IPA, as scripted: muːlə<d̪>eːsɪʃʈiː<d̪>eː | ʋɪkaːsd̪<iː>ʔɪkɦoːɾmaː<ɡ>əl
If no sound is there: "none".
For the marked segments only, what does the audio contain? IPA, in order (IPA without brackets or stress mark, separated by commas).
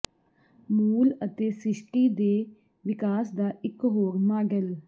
t̪, d̪, aː, ɡ